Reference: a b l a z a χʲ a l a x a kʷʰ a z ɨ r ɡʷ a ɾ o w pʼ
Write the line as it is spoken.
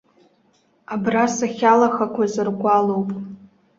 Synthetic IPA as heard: a b r a s a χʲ a l a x a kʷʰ a z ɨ r ɡʷ a l o w pʼ

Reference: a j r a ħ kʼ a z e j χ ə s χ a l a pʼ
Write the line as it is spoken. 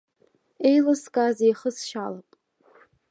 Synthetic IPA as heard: e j l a s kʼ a z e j χ ə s ʃ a l a pʼ

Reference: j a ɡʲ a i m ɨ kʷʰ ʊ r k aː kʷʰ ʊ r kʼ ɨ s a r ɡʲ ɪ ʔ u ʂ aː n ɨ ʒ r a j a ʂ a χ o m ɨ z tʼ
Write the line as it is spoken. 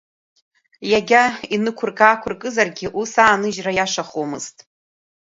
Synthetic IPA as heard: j a ɡʲ a i n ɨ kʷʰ ʊ r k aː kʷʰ ʊ r kʼ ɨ z a r ɡʲ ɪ ʔ u s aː n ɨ ʒ r a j a ʂ a χ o m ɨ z tʼ

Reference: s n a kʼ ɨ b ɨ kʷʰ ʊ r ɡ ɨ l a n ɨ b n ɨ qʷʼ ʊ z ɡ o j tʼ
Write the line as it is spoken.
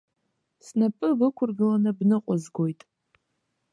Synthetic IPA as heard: s n a pʼ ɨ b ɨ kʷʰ ʊ r ɡ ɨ l a n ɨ b n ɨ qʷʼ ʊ z ɡ o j tʼ

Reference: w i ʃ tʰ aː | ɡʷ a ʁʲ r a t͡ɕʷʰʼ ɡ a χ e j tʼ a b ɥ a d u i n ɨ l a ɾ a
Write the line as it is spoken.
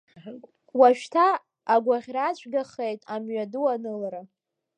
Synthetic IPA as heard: w a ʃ tʰ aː | ɡʷ a ʁʲ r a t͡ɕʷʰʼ ɡ a χ e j tʼ a m ɥ a d u a n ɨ l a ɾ a

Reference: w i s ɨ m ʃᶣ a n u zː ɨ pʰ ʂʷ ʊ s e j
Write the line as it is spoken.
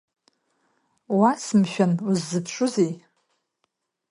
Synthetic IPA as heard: w a s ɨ m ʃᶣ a n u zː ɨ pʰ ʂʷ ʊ z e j

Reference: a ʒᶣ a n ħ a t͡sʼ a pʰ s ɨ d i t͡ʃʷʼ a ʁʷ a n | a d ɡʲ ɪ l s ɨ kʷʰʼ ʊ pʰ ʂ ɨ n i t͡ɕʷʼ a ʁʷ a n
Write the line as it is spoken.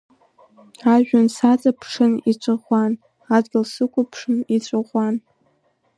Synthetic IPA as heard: a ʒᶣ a n s a t͡sʼ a pʰ ʂ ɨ n i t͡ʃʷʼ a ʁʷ a n | a d ɡʲ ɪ l s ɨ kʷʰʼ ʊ pʰ ʂ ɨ n i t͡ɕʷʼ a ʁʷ a n

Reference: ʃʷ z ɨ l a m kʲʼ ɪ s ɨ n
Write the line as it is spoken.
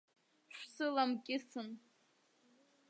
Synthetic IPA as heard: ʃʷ s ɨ l a m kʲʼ ɪ s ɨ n

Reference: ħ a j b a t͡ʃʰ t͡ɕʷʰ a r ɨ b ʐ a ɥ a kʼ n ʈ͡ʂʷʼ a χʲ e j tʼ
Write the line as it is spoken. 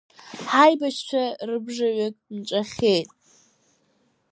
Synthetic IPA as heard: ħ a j b a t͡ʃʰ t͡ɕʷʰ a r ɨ b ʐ a ɥ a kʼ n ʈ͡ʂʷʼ a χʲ e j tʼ

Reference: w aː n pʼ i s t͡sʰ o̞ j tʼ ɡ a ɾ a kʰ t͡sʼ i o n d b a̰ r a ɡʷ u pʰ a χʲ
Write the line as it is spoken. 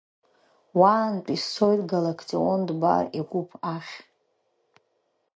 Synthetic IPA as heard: w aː n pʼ i s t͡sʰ o̞ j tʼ ɡ a l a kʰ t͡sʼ i o n d b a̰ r i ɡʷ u pʰ a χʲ

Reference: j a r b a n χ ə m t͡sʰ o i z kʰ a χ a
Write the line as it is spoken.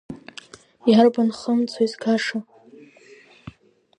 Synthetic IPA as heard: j a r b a n χ ə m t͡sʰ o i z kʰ a ʂ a

